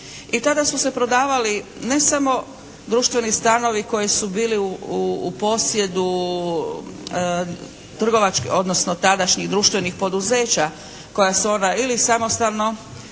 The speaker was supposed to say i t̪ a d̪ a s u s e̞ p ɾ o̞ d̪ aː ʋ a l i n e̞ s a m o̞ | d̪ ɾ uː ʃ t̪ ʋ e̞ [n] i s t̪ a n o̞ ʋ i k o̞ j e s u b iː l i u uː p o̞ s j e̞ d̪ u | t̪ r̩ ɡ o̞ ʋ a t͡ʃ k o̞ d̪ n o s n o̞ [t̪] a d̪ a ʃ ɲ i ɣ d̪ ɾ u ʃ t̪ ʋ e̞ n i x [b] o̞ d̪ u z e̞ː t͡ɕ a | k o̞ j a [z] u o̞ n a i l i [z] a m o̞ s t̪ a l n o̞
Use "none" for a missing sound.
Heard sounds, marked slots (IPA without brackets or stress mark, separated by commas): n, t̪, p, s, s